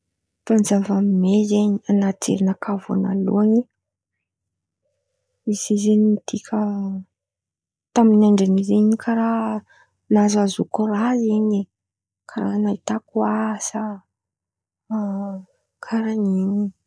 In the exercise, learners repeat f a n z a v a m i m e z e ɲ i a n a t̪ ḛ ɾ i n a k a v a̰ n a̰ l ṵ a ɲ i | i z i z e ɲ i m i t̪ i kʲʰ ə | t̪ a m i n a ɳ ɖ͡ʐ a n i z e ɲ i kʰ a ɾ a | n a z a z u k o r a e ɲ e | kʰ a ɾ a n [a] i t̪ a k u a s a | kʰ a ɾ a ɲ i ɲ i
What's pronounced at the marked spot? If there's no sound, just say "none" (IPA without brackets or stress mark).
a